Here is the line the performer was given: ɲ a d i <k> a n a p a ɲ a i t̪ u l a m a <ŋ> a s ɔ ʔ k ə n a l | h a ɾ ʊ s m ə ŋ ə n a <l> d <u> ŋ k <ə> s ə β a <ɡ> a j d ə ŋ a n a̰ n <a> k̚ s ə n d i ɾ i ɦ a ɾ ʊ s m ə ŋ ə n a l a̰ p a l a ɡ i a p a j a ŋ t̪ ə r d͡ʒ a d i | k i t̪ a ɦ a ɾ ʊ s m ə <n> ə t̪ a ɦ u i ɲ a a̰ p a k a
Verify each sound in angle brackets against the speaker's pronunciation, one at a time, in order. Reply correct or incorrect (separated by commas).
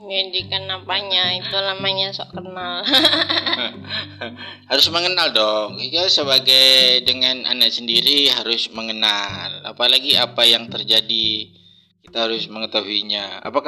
correct, incorrect, correct, incorrect, incorrect, correct, correct, incorrect